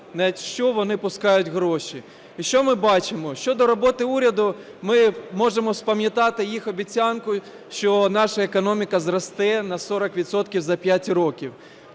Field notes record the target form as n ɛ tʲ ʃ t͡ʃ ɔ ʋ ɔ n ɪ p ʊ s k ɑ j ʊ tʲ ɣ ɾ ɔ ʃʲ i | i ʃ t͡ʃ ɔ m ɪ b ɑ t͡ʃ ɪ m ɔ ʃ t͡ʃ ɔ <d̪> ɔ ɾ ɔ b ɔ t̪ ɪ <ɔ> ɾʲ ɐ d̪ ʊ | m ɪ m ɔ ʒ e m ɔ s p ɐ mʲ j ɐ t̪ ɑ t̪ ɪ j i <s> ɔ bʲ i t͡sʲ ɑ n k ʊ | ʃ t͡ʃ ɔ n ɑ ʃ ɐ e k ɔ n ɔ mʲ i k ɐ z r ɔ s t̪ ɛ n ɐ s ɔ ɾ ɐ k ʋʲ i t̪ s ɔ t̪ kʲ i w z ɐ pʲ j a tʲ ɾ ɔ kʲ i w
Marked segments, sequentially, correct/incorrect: correct, incorrect, incorrect

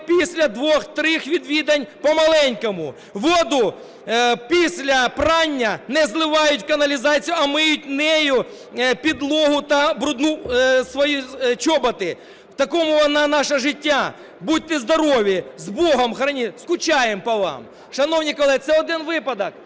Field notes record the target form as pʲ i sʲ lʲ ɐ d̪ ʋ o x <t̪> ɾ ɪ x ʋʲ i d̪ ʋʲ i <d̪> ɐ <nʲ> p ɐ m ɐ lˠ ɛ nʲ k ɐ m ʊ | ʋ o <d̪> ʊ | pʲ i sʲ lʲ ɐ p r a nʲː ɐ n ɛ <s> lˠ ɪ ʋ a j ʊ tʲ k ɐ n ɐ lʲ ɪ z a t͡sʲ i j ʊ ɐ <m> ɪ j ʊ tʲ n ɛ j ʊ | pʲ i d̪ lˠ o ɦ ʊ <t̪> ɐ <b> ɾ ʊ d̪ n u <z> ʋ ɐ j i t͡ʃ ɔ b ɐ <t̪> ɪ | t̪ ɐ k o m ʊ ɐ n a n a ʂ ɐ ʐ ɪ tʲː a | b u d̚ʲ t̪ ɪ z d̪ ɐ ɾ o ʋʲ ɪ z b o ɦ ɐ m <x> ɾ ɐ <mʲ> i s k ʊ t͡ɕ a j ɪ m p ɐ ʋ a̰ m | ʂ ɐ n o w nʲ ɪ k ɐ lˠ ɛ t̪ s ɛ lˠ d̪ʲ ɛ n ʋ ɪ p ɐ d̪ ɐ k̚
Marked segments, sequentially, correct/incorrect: correct, correct, correct, correct, incorrect, correct, correct, correct, incorrect, correct, correct, incorrect

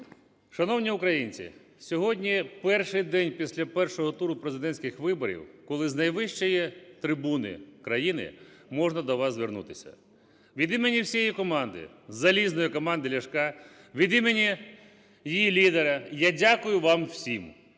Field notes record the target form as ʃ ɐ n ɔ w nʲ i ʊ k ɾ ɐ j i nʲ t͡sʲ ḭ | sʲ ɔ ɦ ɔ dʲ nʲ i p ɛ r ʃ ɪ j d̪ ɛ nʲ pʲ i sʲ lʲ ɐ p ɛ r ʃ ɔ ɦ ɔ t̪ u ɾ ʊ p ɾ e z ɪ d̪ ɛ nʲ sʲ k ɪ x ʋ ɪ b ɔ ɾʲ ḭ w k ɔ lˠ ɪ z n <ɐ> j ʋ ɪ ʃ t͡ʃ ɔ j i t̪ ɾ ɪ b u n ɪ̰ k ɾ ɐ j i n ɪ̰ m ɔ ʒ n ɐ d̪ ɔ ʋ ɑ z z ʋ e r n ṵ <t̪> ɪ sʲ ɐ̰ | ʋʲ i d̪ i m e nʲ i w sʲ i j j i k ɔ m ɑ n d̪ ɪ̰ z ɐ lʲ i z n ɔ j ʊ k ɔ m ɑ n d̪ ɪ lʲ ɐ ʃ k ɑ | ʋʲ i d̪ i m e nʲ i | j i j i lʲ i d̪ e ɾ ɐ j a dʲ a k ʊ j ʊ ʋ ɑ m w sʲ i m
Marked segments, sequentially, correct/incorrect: correct, correct

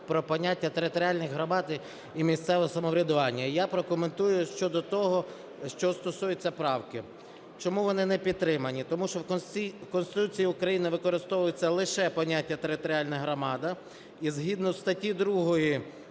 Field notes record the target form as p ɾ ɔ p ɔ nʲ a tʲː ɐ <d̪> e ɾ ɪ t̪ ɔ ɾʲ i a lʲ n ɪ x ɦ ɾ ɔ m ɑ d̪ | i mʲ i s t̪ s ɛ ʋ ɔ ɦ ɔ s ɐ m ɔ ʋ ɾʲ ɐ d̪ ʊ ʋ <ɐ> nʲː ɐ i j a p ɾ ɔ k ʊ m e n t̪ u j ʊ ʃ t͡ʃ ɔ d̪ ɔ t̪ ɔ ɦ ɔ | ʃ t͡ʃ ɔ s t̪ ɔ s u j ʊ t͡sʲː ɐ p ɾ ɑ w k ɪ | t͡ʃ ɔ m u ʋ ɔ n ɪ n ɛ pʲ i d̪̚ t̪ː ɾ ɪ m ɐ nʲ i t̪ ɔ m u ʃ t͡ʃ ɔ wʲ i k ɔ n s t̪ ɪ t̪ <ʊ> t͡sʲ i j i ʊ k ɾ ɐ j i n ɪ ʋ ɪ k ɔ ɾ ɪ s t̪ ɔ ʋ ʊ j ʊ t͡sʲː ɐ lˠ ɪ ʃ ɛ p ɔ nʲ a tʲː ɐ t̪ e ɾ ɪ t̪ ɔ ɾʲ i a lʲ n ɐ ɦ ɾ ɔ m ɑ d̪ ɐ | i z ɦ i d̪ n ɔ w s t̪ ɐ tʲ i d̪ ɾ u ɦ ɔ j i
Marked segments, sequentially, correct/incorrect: incorrect, incorrect, incorrect

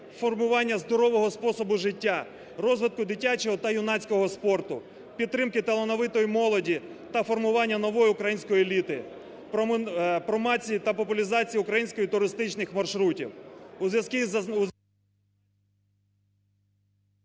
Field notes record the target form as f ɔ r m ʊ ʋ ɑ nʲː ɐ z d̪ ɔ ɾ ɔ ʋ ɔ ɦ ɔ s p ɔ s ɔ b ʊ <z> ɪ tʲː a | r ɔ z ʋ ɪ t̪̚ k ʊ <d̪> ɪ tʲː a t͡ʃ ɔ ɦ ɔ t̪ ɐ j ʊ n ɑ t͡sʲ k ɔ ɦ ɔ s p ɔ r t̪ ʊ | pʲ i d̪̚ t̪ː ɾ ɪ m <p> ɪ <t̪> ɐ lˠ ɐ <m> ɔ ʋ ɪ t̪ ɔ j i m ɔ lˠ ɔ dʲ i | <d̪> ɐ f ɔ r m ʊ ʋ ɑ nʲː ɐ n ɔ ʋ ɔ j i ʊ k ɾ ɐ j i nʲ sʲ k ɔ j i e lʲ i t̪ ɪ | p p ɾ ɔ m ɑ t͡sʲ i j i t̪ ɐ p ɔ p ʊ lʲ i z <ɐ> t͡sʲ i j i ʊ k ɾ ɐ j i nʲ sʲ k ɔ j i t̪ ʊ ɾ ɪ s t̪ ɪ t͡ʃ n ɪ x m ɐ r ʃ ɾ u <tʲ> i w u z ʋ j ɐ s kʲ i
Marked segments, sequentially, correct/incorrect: incorrect, correct, incorrect, correct, incorrect, incorrect, incorrect, correct

